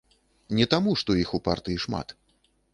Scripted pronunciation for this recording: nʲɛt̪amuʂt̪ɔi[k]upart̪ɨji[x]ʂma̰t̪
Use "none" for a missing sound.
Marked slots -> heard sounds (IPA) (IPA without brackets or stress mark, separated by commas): x, none